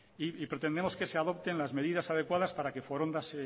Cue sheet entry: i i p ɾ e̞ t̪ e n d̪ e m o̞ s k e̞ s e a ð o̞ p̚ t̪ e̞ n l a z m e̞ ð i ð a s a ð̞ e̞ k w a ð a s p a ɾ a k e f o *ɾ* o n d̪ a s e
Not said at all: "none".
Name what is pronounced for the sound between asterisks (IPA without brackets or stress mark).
ɾ